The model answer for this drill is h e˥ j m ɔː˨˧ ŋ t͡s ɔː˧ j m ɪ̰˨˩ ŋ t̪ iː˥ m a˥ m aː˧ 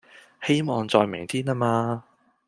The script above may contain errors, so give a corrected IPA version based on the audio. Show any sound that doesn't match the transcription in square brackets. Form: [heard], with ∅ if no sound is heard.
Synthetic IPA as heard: h e˥ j m ɔː˨˧ ŋ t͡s ɔː˧ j m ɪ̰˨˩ ŋ [t̪ʰ] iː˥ [n] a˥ m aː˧